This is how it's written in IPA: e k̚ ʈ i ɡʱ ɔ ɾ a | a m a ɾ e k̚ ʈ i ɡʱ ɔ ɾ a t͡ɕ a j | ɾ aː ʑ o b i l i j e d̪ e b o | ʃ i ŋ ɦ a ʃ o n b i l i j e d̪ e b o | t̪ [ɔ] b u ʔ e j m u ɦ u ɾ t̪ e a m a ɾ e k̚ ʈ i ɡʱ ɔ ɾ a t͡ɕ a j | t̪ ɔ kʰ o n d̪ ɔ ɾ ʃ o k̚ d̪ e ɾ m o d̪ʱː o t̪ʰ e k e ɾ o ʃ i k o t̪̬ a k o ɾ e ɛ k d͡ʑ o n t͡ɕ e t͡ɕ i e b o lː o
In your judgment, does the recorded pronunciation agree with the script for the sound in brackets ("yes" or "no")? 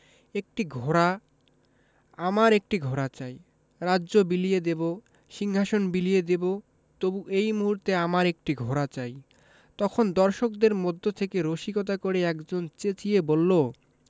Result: no